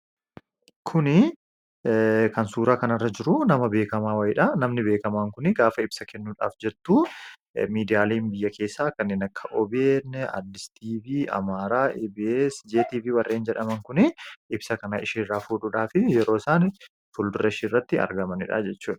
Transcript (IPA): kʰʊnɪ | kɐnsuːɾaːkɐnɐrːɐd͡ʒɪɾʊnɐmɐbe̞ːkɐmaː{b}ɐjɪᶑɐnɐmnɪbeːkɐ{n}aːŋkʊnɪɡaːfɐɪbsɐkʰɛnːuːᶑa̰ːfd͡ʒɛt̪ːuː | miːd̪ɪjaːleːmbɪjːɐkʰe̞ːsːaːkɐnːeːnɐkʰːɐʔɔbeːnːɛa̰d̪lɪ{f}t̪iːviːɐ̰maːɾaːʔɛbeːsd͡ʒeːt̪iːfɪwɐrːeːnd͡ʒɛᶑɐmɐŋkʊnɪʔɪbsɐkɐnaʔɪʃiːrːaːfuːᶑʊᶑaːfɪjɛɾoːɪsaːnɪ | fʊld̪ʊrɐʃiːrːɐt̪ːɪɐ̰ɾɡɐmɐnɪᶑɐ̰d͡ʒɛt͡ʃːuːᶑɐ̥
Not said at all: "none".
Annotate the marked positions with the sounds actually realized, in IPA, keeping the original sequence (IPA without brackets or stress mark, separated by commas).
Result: w, m, s